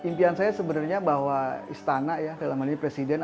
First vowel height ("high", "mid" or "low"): high